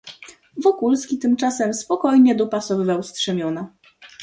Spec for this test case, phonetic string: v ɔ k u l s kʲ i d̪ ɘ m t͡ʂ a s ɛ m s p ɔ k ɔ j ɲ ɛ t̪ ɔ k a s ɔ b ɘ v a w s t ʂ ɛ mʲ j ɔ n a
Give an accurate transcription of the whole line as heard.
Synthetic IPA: v ɔ k u l s kʲ i t̪ ɘ m t͡ʂ a s ɛ m s p ɔ k ɔ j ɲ ɛ d̪ ɔ p a s ɔ v ɘ v a w s t ʂ ɛ mʲ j ɔ n a